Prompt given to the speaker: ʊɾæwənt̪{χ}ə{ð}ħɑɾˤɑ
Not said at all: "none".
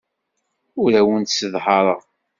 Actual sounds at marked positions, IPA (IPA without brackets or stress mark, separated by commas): s, ð